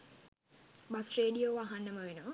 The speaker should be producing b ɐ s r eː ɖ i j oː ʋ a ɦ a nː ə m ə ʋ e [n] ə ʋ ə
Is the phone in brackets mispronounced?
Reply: no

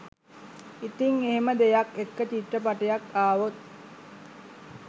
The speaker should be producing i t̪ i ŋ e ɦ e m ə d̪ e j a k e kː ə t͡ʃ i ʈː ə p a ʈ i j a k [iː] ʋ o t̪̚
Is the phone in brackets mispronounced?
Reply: yes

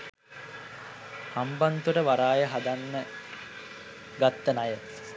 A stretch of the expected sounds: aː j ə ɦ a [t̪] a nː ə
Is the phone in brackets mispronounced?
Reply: yes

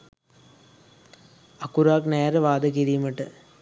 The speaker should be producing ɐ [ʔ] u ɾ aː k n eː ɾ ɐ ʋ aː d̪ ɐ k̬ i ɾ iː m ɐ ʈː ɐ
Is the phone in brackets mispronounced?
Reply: yes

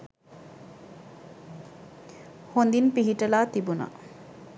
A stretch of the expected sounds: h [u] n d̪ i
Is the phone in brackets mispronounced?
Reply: yes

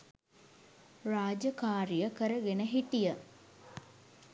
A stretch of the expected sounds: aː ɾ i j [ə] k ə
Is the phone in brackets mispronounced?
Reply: no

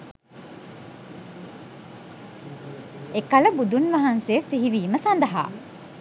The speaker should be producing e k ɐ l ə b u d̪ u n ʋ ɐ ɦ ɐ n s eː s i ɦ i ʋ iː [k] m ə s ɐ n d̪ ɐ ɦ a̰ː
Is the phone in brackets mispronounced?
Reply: yes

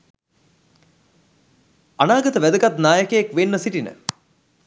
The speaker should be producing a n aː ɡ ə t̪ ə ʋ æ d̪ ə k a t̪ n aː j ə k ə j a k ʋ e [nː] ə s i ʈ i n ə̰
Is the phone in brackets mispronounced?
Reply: no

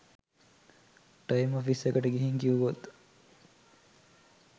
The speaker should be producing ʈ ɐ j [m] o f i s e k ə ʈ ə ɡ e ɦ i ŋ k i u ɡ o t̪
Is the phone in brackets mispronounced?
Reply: no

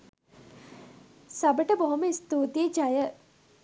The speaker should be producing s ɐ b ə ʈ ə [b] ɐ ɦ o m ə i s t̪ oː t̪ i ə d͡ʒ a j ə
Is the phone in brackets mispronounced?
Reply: no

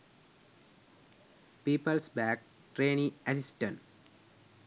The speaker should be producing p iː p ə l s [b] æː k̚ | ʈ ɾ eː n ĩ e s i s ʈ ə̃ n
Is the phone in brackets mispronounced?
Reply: no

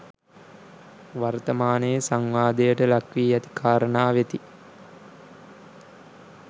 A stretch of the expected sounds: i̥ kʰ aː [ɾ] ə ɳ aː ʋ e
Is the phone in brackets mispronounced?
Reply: no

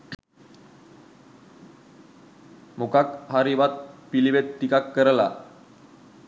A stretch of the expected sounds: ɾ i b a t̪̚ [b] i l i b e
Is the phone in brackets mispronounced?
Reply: yes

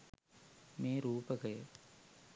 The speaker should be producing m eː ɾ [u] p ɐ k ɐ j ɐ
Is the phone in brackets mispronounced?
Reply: yes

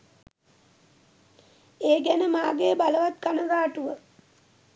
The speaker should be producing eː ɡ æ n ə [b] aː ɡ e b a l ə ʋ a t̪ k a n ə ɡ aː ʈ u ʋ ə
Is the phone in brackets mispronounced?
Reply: yes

